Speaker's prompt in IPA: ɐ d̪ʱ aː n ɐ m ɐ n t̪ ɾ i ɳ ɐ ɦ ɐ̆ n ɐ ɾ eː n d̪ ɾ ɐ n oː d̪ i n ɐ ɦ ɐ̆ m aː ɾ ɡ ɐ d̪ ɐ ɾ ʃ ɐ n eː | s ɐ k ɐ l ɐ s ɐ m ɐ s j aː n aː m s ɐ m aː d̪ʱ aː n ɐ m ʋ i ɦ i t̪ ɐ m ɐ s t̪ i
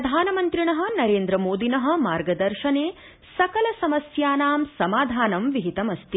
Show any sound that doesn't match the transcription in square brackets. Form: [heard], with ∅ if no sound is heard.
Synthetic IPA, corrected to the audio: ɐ d̪ʱ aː n ɐ m ɐ n t̪ ɾ i ɳ ɐ ɦ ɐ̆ n ɐ ɾ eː n d̪ ɾ ɐ [m] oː d̪ i n ɐ ɦ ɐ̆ m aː ɾ ɡ ɐ d̪ ɐ ɾ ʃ ɐ n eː | s ɐ k ɐ l ɐ s ɐ m ɐ s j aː n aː m s ɐ m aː d̪ʱ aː n ɐ m ʋ i ɦ i t̪ ɐ m ɐ s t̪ i

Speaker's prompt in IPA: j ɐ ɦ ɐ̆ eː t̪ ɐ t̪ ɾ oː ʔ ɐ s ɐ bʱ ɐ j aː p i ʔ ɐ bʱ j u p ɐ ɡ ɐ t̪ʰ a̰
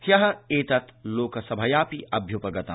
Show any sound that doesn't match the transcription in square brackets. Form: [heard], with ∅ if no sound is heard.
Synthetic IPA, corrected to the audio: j ɐ ɦ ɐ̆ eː t̪ ɐ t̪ [l] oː [k] ɐ s ɐ bʱ ɐ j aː p i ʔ ɐ bʱ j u p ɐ ɡ ɐ [t̪] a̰

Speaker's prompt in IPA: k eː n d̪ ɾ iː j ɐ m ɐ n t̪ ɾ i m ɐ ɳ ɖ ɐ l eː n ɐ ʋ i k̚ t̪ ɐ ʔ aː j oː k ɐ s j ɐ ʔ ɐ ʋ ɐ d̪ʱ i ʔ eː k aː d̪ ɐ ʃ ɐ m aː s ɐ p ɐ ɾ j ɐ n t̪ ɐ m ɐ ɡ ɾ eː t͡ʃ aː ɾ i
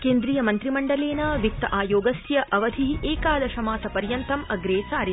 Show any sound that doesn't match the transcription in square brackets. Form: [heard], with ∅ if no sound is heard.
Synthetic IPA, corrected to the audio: k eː n d̪ ɾ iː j ɐ m ɐ n t̪ ɾ i m ɐ ɳ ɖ ɐ l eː n ɐ ʋ i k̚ t̪ ɐ ʔ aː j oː [ɡ] ɐ s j ɐ ʔ ɐ ʋ ɐ d̪ʱ i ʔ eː k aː d̪ ɐ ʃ ɐ m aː s ɐ p ɐ ɾ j ɐ n t̪ ɐ m ɐ ɡ ɾ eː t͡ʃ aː ɾ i

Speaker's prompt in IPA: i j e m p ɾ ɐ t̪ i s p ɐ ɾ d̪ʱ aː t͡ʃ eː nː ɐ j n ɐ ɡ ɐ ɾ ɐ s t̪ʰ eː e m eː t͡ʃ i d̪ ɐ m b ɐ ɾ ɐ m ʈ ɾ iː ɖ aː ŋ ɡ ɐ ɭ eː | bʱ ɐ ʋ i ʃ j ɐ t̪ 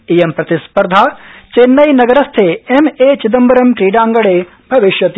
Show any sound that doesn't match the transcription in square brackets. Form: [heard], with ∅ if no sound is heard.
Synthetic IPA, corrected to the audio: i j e m p ɾ ɐ t̪ i s p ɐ ɾ d̪ʱ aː t͡ʃ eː nː ɐ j n ɐ ɡ ɐ ɾ ɐ s t̪ʰ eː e m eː t͡ʃ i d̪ ɐ m b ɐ ɾ ɐ m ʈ ɾ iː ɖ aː ŋ ɡ ɐ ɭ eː | bʱ ɐ ʋ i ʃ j ɐ t̪

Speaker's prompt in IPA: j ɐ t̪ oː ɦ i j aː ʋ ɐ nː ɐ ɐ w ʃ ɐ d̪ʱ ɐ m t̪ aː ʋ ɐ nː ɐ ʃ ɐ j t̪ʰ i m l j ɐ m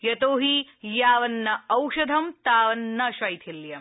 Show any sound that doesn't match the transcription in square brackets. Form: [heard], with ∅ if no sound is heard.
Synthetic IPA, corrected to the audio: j ɐ t̪ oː ɦ i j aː ʋ ɐ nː ɐ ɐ w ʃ ɐ d̪ʱ ɐ m t̪ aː ʋ ɐ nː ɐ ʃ ɐ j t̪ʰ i [∅] l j ɐ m

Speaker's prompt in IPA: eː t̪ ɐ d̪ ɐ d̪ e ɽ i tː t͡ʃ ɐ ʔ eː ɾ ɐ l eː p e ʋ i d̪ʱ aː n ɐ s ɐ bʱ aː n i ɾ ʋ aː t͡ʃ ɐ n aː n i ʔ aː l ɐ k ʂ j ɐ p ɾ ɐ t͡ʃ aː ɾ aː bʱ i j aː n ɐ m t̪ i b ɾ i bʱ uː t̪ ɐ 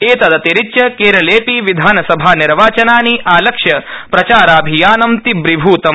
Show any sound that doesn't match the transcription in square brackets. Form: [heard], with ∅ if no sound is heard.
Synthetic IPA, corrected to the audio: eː t̪ ɐ d̪ ɐ [t̪] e [ɾ] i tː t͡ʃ ɐ [k] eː ɾ ɐ l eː p [i] ʋ i d̪ʱ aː n ɐ s ɐ bʱ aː n i ɾ ʋ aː t͡ʃ ɐ n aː n i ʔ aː l ɐ k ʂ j ɐ p ɾ ɐ t͡ʃ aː ɾ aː bʱ i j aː n ɐ m t̪ i b ɾ i bʱ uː t̪ ɐ

